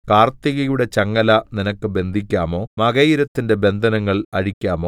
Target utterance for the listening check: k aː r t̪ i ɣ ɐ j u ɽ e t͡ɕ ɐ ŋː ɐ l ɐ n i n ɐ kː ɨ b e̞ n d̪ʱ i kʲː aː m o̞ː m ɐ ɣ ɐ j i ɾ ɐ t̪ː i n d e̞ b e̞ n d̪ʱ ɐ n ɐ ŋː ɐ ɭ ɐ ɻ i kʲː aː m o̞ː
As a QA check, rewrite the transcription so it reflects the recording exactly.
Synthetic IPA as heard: k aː r t̪ i ɣ ɐ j u ɽ e t͡ɕ ɐ ŋː ɐ l ɐ n i n ɐ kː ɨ b e̞ n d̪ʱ i kʲː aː m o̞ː m ɐ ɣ ɐ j i ɾ ɐ t̪ː i n d e̞ b e̞ n d̪ʱ ɐ n ɐ ŋː ɐ ɭ ɐ ɻ i kʲː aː m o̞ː